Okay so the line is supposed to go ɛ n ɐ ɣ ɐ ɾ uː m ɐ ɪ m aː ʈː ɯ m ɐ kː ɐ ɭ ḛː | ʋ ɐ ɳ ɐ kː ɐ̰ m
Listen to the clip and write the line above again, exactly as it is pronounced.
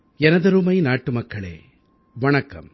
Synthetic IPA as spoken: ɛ n ɐ ð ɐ ɾ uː m ɐ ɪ n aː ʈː ɯ m ɐ kː ɐ ɭ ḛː | ʋ ɐ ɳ ɐ kː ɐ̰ m